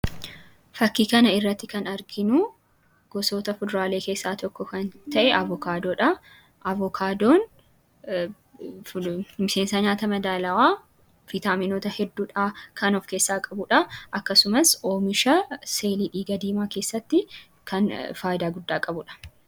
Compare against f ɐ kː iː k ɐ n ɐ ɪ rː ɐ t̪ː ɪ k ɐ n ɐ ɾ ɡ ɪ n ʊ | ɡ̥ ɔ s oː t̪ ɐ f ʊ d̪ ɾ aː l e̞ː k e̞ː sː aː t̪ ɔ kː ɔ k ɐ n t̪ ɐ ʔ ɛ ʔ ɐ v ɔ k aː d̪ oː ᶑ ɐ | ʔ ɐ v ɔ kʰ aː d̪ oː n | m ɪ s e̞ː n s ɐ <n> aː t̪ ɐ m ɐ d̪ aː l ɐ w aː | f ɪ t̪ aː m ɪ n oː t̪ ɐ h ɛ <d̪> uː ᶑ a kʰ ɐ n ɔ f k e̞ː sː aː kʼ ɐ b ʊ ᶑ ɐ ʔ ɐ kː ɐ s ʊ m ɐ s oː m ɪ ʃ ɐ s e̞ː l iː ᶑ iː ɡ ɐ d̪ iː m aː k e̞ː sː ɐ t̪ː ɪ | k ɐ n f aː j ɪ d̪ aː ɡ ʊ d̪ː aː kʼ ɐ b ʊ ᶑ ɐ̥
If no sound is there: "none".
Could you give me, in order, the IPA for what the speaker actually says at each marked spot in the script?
ɲ, d̪ː

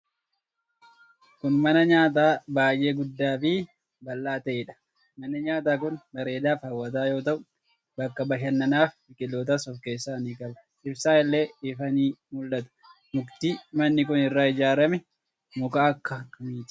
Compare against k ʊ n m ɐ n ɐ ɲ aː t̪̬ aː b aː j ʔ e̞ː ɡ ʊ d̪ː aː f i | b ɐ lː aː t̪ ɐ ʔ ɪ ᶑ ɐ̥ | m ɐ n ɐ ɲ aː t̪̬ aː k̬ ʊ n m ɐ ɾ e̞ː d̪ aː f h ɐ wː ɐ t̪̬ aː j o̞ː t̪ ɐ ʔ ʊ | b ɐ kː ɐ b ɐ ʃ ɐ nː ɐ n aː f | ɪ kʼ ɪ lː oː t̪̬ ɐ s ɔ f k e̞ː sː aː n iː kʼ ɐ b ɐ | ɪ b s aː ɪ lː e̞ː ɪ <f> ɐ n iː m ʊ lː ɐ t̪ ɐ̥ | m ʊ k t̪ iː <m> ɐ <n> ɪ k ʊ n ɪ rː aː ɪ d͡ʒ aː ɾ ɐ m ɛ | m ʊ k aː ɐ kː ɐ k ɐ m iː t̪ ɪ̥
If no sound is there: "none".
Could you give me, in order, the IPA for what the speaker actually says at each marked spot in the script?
f, m, nː

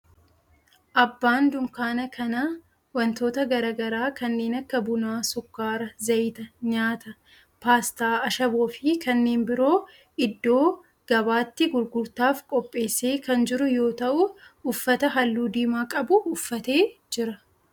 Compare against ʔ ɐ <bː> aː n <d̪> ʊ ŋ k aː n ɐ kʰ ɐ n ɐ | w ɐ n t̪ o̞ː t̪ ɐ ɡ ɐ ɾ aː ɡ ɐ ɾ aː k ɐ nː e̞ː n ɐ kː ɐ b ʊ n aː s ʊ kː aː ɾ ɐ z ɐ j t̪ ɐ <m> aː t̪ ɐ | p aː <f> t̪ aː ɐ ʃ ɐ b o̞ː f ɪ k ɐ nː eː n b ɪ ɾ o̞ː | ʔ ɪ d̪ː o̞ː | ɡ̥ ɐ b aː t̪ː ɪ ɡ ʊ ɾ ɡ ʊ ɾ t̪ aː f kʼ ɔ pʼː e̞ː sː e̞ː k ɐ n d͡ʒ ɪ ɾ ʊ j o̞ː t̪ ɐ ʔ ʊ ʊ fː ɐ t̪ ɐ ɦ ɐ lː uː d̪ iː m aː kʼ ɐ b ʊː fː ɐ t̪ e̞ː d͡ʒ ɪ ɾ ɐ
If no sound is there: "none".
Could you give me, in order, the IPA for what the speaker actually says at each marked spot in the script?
bː, d̪, ɲ, s

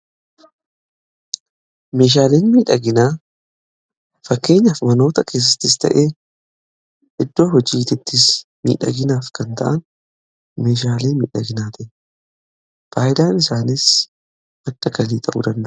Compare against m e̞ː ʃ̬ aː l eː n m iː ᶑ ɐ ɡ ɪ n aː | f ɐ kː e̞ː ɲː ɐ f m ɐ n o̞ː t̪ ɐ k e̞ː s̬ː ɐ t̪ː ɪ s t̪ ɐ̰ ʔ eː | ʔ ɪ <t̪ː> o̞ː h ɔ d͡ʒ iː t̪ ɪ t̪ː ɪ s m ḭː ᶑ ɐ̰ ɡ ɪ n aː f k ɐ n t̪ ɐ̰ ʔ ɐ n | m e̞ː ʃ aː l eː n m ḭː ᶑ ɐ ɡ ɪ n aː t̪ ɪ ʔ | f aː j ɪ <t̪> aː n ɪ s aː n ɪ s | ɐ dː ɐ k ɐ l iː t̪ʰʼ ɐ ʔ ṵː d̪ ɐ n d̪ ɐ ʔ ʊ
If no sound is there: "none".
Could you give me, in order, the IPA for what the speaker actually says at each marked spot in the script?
d̪ː, d̪

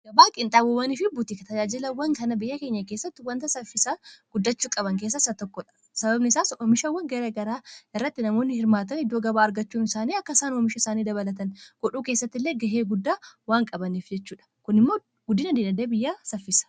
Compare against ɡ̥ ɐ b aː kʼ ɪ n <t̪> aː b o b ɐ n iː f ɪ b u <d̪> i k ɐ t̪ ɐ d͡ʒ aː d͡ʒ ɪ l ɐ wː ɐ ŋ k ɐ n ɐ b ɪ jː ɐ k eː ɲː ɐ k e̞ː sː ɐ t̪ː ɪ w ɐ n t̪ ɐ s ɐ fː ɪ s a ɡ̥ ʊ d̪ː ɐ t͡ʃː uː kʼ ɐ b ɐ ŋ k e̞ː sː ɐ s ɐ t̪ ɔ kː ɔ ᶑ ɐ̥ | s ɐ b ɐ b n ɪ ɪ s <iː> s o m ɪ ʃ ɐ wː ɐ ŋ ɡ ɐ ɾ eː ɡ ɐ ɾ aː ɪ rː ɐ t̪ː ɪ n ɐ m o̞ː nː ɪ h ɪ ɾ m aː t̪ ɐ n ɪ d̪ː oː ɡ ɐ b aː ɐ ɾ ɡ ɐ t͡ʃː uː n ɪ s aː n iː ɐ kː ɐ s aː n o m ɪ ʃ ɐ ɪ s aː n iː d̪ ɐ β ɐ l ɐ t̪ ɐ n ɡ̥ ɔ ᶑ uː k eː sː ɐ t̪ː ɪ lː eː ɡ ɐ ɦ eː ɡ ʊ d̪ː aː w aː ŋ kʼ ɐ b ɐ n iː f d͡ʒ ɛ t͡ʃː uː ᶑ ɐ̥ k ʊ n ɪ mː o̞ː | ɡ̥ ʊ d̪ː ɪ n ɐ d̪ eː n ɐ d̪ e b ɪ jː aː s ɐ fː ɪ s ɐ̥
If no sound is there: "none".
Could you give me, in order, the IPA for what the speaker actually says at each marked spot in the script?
t̪ʼ, t̪, aː

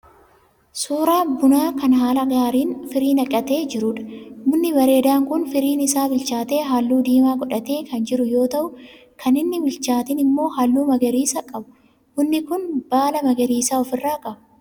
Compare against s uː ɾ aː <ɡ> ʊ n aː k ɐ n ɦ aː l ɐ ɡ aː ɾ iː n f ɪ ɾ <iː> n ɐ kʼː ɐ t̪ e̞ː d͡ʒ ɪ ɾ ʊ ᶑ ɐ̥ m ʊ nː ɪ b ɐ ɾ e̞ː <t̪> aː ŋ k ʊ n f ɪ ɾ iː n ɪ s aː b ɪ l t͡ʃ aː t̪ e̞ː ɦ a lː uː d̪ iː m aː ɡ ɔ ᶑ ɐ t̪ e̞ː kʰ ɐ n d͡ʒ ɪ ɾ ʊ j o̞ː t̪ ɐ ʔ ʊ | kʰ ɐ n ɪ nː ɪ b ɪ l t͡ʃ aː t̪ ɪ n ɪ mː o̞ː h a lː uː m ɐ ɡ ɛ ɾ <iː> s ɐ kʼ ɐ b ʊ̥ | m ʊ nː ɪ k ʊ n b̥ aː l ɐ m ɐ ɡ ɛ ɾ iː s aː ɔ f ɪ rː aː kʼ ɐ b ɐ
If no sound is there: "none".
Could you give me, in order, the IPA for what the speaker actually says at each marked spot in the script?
b, iː, d̪, iː

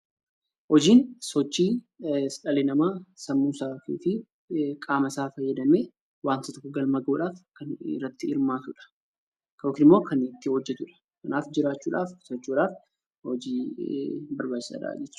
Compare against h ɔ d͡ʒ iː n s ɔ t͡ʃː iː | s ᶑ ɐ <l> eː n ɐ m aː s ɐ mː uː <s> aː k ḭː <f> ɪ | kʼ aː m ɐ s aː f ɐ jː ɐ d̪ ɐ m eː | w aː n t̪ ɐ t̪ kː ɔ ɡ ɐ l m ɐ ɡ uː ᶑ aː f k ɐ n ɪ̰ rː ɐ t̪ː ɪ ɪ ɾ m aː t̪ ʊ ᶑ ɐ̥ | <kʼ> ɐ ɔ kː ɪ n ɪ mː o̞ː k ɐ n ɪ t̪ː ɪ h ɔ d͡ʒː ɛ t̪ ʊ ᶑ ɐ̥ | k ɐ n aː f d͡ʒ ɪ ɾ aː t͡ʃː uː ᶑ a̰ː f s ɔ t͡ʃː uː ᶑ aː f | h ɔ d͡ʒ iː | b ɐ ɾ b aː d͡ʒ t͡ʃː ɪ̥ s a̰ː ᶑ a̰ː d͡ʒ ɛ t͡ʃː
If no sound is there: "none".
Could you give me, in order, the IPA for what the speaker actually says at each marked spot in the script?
l, s, f, k

